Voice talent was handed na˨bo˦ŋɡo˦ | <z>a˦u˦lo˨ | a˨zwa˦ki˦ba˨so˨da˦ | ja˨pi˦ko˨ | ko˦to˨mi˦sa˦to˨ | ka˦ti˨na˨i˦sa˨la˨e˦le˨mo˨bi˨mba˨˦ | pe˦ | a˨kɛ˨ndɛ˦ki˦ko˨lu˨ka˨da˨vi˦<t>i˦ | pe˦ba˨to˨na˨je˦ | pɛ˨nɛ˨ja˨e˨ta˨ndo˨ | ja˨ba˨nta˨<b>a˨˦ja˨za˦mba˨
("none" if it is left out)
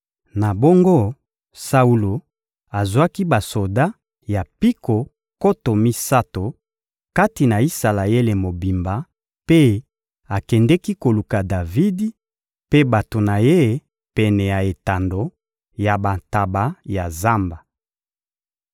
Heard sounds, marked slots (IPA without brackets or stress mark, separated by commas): s, d, b